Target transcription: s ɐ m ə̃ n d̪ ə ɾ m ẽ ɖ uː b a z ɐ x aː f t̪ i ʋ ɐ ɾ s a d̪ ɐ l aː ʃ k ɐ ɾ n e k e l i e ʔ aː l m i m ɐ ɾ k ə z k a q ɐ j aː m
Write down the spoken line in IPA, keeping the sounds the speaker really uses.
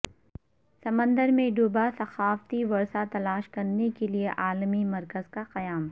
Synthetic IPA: s ɐ m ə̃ n d̪ ə ɾ m ẽ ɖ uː b a s ɐ x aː f t̪ i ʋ ɐ ɾ s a t̪ ɐ l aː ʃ k ɐ ɾ n e k e l i e ʔ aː l m i m ɐ ɾ k ə z k a q ɐ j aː m